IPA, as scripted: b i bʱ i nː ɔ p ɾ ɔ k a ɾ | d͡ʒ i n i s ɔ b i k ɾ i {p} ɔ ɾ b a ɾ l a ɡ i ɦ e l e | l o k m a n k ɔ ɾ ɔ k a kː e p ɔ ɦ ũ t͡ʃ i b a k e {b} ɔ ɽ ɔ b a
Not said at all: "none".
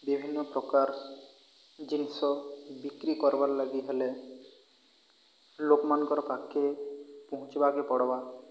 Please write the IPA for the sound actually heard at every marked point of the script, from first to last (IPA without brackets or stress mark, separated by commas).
k, p